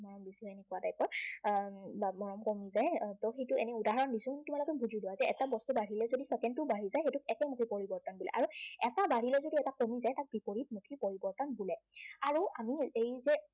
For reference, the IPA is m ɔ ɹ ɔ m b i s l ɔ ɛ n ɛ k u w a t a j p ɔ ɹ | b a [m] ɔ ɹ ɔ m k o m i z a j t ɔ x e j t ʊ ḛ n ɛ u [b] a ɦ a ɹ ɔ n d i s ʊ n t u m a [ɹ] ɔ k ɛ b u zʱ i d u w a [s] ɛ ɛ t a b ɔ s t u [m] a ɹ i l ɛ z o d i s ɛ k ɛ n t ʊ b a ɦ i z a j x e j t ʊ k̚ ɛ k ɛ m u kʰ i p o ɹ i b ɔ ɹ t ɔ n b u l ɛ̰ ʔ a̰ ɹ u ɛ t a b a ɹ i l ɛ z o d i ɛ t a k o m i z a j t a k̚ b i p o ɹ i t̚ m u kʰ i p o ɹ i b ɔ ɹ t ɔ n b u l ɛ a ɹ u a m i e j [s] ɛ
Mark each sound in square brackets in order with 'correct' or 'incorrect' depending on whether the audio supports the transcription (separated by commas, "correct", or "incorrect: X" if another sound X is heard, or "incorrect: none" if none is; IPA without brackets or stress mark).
correct, incorrect: d, incorrect: l, incorrect: z, incorrect: b, incorrect: z